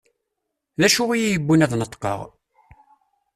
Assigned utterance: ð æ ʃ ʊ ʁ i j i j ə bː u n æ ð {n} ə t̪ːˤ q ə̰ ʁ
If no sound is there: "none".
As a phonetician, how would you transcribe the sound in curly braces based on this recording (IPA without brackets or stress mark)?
n